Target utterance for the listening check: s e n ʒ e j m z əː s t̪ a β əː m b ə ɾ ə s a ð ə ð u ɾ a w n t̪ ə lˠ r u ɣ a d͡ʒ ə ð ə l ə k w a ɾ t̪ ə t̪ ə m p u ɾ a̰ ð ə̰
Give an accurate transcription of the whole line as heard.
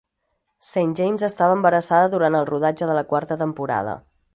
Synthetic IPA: s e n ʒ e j m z ə s t̪ a β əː m b ə ɾ ə s a ð ə ð u ɾ a n t̪ ə lˠ r u ð a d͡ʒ ə ð ə l ə k w a ɾ t̪ ə t̪ ə m p u ɾ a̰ ð ə̰